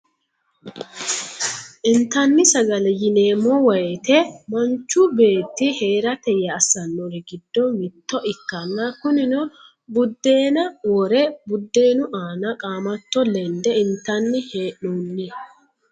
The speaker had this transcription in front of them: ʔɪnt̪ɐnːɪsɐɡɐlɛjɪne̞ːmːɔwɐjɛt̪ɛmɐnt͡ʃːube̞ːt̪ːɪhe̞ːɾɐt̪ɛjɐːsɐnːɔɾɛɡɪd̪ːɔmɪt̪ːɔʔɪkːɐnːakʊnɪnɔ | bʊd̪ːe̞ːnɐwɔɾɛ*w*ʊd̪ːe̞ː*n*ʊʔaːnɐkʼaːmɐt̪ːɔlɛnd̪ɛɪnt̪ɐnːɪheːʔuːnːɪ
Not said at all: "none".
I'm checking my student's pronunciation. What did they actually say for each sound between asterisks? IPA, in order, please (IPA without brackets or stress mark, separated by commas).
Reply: b, n